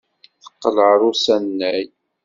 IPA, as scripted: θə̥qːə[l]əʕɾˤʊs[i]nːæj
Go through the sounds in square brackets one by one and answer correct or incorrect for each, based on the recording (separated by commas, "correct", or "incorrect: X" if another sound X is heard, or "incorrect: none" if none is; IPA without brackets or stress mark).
correct, incorrect: æ